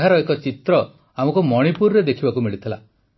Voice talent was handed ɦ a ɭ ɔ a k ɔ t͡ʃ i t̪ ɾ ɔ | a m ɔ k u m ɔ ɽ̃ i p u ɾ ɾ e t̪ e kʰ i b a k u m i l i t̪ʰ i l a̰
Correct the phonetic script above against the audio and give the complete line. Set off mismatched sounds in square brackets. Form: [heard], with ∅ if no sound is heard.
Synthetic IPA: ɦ a [ɾ] ɔ [e] k ɔ t͡ʃ i t̪ ɾ ɔ | a m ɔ k u m ɔ ɽ̃ i p u ɾ ɾ e [d̪] e kʰ i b a k u m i [ɭ] i t̪ʰ i l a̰